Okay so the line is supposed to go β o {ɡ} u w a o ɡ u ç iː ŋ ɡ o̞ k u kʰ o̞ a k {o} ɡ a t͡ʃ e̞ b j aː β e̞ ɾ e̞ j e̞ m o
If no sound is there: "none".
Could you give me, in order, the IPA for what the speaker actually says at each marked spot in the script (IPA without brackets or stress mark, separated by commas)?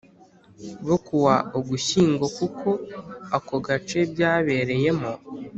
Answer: k, o